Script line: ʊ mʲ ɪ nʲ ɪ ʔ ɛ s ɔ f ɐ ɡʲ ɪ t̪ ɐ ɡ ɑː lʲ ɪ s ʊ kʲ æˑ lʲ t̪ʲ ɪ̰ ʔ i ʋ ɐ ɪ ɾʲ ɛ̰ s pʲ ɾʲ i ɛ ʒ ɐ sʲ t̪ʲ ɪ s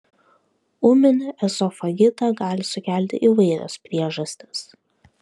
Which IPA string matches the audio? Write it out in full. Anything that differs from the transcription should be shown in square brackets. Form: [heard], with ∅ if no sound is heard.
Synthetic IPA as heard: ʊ mʲ ɪ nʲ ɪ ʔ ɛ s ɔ f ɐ ɡʲ ɪ t̪ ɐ ɡ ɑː lʲ ɪ s ʊ kʲ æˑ lʲ t̪ʲ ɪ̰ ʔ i ʋ ɐ ɪ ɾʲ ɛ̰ s pʲ ɾʲ i ɛ ʒ ɐ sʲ t̪ʲ ɪ s